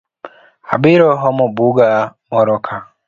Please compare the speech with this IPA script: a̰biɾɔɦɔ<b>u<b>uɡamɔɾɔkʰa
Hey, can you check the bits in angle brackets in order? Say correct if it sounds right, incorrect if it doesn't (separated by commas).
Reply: incorrect, correct